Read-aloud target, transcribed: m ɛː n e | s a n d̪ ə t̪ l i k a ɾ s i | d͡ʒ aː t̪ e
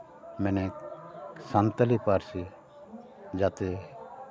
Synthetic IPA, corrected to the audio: m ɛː n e | s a n t̪ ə l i p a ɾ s i | d͡ʒ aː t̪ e